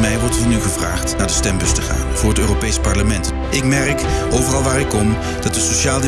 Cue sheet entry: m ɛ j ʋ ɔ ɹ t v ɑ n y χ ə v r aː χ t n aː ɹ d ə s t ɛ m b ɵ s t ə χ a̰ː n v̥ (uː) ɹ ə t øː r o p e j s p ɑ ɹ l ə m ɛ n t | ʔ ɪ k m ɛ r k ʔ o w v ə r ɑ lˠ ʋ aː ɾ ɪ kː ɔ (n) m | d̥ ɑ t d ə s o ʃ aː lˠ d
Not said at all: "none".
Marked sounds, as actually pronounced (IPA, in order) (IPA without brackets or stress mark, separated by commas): ʊː, none